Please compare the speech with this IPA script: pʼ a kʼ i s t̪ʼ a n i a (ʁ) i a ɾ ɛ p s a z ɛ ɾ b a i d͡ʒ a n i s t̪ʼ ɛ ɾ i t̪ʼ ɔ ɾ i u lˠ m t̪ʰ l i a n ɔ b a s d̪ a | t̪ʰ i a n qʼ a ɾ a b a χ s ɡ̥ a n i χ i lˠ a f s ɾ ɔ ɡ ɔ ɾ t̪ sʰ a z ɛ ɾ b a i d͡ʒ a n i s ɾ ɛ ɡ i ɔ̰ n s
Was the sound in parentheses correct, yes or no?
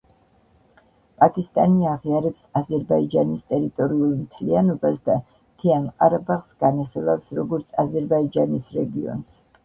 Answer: yes